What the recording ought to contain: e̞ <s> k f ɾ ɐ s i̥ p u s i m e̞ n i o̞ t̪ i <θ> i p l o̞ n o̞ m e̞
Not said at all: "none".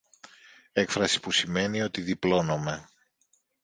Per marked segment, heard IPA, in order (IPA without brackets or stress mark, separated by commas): none, ð